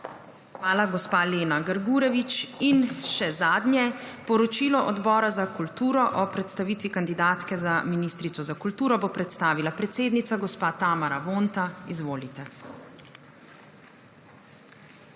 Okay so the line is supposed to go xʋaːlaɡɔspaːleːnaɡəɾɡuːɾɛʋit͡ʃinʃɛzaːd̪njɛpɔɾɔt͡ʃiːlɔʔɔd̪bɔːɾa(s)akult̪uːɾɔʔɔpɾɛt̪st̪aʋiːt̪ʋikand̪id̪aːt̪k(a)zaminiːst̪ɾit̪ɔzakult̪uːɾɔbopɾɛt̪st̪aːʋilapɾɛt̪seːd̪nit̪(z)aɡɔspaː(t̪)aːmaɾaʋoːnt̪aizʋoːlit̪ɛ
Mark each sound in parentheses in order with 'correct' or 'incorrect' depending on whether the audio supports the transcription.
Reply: incorrect, incorrect, incorrect, correct

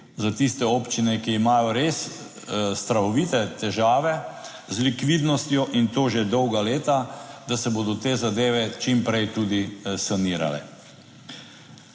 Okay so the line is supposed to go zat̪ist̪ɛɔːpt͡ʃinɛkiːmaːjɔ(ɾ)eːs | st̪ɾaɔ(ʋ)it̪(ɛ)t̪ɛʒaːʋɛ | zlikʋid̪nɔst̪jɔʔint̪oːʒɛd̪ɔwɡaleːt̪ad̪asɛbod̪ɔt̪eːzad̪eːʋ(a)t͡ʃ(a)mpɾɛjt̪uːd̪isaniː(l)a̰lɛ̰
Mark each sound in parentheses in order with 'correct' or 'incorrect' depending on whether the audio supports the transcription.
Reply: correct, correct, correct, incorrect, incorrect, incorrect

